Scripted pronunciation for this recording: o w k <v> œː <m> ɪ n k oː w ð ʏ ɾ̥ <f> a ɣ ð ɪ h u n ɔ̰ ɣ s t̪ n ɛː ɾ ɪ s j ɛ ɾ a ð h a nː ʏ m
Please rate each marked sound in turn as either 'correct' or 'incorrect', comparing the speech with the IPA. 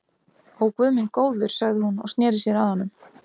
correct, correct, incorrect: s

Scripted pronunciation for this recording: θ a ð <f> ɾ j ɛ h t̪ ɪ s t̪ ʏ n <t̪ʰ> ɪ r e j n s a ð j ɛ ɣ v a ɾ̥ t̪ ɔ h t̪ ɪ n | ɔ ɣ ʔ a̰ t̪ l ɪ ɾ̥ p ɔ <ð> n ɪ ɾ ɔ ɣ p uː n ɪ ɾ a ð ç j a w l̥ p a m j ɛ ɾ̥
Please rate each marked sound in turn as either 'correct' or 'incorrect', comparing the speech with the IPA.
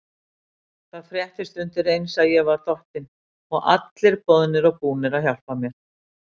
correct, incorrect: t̪, correct

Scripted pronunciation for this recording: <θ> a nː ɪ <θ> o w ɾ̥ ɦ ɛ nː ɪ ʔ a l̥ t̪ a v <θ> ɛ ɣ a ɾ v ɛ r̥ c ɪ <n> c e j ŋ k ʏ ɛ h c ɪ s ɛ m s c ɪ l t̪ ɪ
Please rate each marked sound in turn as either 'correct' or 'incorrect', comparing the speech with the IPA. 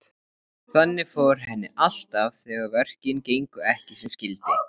correct, incorrect: f, correct, correct

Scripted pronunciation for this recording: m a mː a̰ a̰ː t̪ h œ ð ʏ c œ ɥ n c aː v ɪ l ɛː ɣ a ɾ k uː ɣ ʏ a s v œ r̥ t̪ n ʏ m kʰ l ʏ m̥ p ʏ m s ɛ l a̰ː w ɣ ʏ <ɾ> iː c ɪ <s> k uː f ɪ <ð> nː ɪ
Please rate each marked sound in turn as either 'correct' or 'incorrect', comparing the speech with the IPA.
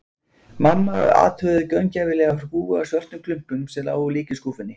incorrect: l, correct, incorrect: none

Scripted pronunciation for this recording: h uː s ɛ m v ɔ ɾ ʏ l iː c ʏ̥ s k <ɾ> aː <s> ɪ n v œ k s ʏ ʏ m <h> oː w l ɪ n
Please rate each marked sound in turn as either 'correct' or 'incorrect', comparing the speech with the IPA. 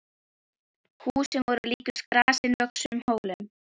correct, correct, correct

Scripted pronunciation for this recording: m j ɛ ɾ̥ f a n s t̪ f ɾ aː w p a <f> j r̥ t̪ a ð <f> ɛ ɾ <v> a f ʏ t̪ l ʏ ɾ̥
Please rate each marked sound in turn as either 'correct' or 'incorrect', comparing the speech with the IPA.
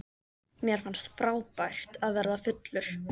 incorrect: none, incorrect: v, incorrect: ð

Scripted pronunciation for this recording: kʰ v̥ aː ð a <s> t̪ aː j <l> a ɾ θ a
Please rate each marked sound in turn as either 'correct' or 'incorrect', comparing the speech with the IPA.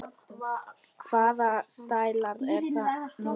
correct, correct

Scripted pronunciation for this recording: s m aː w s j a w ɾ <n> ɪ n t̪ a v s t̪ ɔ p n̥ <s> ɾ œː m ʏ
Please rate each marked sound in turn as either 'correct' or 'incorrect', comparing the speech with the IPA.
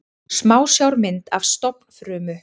incorrect: m, incorrect: f

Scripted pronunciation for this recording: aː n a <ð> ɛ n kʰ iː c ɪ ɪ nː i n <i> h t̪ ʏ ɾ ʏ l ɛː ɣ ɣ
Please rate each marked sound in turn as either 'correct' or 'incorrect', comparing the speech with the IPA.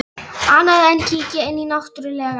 correct, incorrect: a

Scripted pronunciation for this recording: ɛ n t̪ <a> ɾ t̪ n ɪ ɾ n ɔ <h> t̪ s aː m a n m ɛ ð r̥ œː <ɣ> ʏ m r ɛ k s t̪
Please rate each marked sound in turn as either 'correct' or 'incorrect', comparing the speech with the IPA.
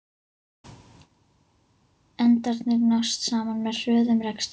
correct, incorrect: s, incorrect: ð

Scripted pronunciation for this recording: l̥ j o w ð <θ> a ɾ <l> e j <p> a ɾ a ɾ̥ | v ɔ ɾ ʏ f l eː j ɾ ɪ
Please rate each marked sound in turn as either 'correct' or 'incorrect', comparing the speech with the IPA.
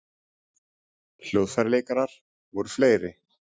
incorrect: f, correct, incorrect: k

